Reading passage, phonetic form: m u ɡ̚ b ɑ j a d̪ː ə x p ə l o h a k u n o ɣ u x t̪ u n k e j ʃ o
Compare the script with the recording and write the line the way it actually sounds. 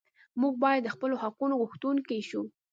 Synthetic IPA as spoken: m u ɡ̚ b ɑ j a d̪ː ə x p ə l o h a q u n o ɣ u x t̪ u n k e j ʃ u